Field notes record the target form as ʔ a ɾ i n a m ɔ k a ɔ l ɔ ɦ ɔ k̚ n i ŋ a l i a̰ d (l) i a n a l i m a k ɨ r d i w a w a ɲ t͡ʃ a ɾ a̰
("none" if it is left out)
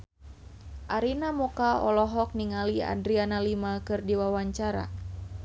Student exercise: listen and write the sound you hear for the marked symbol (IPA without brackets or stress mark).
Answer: ɾ